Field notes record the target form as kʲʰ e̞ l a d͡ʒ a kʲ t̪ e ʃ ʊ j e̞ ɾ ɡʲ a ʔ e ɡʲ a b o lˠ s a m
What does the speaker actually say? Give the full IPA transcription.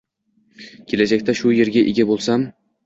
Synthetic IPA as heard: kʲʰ e̞ l a d͡ʒ a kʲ t̪ a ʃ ʊ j e̞ ɾ ɡʲ a ʔ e ɡʲ a b o lˠ s a m

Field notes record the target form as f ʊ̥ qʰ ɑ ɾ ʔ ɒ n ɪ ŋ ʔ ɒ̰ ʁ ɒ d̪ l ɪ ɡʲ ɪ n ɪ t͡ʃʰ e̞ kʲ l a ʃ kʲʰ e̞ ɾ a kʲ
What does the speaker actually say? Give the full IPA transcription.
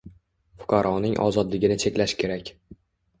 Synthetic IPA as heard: f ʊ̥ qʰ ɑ ɾ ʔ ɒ n ɪ ŋ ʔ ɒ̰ z ɒ d̪ l ɪ ɡʲ ɪ n ɪ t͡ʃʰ e̞ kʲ l a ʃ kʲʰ e̞ ɾ a kʲ

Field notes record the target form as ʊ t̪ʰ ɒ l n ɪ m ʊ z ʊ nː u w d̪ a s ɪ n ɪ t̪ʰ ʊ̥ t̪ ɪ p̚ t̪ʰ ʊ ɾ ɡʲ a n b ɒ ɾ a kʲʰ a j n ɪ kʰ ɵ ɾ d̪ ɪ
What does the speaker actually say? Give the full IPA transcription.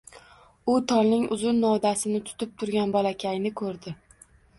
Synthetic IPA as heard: ʊ t̪ʰ ɒ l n ɪ ŋ ʊ z ʊ nː ɒ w d̪ a s ɪ n ɪ t̪ʰ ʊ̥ t̪ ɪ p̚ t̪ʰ ʊ ɾ ɡʲ a n b ɒ l a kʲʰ a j n ɪ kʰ ɵ ɾ d̪ ɪ

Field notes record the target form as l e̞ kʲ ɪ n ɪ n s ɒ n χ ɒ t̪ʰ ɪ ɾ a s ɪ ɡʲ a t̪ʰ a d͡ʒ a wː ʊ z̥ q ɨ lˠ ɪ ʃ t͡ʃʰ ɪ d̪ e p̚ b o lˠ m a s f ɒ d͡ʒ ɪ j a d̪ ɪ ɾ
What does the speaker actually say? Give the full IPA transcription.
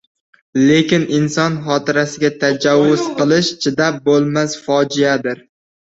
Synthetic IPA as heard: l e̞ kʲ ɪ n ɪ n s ɒ n χ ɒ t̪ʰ ɪ ɾ a s ɪ ɡʲ a t̪ʰ a d͡ʒ a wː ʊ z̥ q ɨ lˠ ɪ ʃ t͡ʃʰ ɪ d̪ a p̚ b o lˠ m a s f ɒ d͡ʒ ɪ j a d̪ ɪ ɾ

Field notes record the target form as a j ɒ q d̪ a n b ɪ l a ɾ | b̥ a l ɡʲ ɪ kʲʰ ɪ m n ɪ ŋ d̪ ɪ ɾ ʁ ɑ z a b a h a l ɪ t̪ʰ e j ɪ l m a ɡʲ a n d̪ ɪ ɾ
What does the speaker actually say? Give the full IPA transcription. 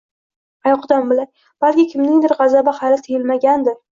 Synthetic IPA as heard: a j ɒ q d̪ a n b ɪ l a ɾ | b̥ a l kʲ ɪ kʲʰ ɪ m n ɪ ŋ d̪ ɪ ɾ ʁ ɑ z a b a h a l ɪ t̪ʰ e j ɪ l m a ɡʲ a n d̪ ɪ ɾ

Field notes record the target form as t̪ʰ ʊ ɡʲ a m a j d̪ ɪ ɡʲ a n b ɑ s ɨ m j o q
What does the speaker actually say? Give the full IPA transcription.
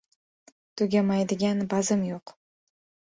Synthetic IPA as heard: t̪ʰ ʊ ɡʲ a m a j d̪ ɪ ɡʲ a n b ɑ z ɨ m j o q

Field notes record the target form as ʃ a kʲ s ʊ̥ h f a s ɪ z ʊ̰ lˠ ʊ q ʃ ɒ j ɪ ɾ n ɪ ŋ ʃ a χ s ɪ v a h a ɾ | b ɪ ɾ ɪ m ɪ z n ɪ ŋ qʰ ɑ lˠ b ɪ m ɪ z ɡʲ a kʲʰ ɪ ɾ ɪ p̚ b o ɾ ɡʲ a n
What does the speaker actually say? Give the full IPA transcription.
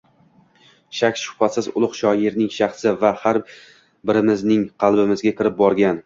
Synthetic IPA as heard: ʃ a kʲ ʃ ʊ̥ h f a s ɪ z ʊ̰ lˠ ʊ q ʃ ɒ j ɪ ɾ n ɪ ŋ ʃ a χ s ɪ v a h a ɾ | b ɪ ɾ ɪ m ɪ z n ɪ ŋ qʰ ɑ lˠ b ɪ m ɪ z ɡʲ a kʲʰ ɪ ɾ ɪ p̚ b ɒ ɾ ɡʲ a n

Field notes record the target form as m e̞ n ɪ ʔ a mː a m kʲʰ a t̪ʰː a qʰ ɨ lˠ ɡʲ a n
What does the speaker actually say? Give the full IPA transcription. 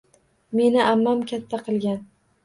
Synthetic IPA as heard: m e̞ n ɪ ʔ a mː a m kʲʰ a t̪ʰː a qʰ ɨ lˠ ɡʲ a n

